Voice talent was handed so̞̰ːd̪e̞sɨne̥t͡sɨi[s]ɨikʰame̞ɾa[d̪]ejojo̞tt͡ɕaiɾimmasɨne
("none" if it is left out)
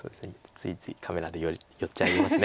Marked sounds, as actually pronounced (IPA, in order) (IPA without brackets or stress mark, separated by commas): t͡s, d̪